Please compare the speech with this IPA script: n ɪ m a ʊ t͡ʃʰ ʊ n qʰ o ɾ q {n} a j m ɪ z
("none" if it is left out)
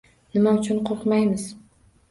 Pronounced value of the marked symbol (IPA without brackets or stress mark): m